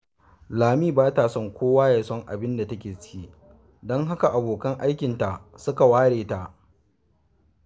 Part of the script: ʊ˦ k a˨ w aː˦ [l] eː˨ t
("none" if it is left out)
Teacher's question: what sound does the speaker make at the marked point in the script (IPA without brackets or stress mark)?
ɽ